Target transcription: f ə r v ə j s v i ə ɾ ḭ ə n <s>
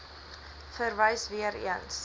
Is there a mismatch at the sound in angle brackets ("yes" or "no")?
no